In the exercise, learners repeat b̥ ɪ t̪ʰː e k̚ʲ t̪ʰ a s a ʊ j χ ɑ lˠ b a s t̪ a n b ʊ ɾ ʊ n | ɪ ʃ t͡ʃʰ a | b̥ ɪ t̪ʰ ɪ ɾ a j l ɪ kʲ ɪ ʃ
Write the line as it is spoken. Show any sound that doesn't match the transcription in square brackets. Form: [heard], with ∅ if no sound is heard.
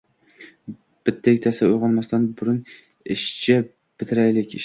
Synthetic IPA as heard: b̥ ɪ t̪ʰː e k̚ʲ t̪ʰ a s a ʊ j [ʁ] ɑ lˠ [m] a s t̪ a n b ʊ ɾ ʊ n | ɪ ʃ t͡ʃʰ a | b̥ ɪ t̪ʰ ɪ ɾ a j l ɪ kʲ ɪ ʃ

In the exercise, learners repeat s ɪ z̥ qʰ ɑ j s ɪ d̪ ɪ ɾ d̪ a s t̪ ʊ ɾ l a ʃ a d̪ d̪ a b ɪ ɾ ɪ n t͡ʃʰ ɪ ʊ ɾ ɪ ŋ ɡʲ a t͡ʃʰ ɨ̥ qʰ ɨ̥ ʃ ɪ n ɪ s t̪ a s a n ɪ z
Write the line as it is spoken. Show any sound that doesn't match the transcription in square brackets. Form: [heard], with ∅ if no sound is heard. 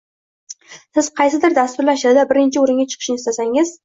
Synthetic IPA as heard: s ɪ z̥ qʰ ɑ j s ɪ d̪ ɪ ɾ d̪ a s t̪ ʊ ɾ l a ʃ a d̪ d̪ a b ɪ ɾ ɪ n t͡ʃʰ ɪ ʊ ɾ ɪ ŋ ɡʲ a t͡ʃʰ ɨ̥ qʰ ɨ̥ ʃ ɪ n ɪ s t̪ a s a [ŋ] ɪ z

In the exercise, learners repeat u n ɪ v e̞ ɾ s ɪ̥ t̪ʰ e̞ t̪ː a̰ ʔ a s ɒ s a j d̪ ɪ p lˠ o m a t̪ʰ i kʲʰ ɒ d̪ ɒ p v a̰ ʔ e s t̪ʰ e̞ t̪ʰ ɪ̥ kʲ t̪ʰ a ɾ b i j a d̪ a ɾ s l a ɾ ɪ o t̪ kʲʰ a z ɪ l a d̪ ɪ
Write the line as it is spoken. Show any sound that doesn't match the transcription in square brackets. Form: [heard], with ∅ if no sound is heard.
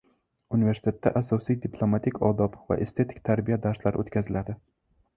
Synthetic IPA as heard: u n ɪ v e̞ ɾ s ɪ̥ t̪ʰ e̞ t̪ː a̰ ʔ a s ɒ s [i] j d̪ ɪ p lˠ o m a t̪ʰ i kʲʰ ɒ d̪ ɒ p v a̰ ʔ e s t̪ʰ e̞ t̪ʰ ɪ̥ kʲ t̪ʰ a ɾ b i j a d̪ a ɾ s l a ɾ ɪ o t̪ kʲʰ a z ɪ l a d̪ ɪ

